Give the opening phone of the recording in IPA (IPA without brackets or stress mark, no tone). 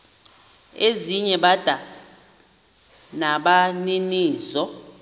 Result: e